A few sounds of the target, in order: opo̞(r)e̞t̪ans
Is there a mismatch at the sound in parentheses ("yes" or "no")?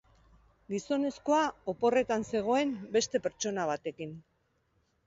no